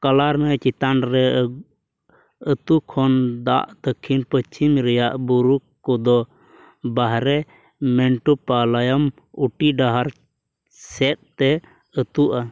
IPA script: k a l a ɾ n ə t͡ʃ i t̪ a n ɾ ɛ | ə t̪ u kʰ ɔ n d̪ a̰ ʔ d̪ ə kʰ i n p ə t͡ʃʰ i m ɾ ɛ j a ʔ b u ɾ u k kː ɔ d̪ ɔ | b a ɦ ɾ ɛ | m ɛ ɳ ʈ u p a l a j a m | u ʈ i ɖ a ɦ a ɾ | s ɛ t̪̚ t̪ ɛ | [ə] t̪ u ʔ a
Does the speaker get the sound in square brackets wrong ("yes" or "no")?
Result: no